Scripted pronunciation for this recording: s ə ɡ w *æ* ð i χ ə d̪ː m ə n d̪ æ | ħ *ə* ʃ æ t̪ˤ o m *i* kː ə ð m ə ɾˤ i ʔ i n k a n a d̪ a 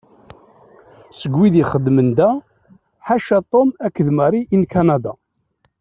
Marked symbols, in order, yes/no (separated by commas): no, no, no